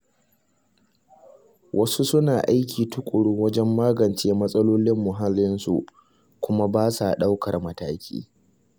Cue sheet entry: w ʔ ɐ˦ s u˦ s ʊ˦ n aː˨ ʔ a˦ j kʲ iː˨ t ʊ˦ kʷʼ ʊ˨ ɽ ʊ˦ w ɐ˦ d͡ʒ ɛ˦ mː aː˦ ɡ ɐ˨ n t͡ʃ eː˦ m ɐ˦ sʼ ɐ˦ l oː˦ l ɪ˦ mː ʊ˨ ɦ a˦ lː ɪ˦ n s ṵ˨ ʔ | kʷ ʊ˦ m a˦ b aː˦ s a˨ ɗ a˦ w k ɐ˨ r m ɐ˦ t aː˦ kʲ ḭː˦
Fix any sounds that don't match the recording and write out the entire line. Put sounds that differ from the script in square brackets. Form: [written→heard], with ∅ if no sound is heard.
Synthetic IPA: w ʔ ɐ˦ s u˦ s ʊ˦ n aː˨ ʔ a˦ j kʲ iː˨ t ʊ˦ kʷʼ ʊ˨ ɽ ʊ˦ w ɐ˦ d͡ʒ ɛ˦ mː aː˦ ɡ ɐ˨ n t͡ʃ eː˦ m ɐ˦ sʼ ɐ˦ l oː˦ l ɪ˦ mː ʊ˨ ɦ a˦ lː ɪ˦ n s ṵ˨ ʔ | kʷ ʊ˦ m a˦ b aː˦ s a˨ ɗ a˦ w k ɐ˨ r m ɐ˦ t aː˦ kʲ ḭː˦